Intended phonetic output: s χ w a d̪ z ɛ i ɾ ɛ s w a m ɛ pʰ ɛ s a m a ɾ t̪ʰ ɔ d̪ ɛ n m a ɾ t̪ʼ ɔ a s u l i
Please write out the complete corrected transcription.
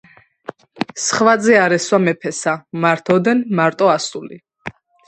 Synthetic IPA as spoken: s χ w a d̪ z ɛ a ɾ ɛ s w a m ɛ pʰ ɛ s a m a ɾ t̪ʰ ɔ d̪ ɛ n m a ɾ t̪ʼ ɔ a s u l i